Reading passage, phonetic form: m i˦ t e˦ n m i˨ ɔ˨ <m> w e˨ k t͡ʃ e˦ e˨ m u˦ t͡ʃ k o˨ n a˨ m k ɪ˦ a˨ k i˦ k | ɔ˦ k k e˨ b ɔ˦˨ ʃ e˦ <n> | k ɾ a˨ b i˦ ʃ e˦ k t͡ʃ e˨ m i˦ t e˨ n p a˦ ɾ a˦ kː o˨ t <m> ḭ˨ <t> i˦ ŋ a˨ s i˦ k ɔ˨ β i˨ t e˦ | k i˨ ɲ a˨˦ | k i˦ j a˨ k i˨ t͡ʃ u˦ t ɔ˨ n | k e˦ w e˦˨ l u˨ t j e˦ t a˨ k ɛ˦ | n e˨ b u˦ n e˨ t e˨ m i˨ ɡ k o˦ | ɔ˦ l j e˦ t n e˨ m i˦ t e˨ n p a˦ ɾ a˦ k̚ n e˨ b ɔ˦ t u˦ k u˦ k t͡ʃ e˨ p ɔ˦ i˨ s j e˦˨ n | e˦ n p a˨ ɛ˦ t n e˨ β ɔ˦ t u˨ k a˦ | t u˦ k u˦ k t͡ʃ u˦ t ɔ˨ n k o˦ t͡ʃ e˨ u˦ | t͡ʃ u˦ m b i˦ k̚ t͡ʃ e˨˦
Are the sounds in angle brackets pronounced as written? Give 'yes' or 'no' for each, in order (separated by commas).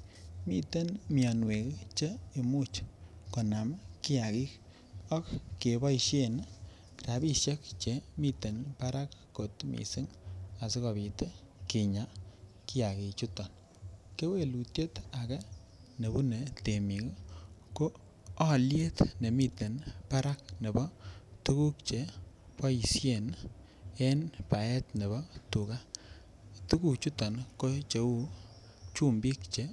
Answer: no, yes, yes, no